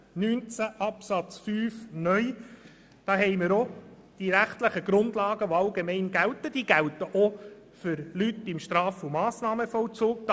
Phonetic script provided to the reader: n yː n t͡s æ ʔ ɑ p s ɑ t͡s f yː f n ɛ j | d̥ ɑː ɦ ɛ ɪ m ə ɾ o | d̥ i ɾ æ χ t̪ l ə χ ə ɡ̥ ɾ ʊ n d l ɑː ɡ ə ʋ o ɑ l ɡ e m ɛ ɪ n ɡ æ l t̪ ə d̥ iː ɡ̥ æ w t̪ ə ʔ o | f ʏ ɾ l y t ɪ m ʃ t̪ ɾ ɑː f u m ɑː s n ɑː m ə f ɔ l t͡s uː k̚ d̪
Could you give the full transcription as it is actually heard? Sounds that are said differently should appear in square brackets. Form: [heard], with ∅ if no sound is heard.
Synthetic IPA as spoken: n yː n t͡s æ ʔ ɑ p s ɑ t͡s f yː f n [œ] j | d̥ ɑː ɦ ɛ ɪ m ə ɾ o | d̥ i ɾ æ χ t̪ l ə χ ə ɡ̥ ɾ ʊ n d l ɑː ɡ ə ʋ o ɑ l ɡ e m ɛ ɪ n ɡ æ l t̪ ə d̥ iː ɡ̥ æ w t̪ ə ʔ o | f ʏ ɾ l y t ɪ m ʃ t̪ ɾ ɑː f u m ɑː s n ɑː m ə f ɔ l t͡s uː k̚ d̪